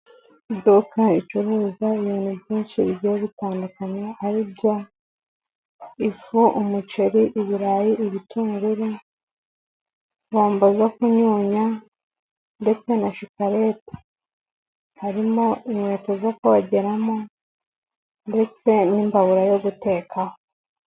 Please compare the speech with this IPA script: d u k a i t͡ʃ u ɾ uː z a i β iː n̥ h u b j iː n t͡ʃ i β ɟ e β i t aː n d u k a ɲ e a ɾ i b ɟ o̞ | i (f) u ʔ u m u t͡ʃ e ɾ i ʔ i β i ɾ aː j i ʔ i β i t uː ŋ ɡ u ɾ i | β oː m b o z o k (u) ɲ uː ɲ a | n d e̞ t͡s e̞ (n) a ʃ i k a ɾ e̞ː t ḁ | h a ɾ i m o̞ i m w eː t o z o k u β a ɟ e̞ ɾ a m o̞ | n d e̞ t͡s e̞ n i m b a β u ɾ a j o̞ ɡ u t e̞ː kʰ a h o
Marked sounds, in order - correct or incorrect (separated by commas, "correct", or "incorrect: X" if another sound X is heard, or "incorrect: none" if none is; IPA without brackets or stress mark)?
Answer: correct, correct, correct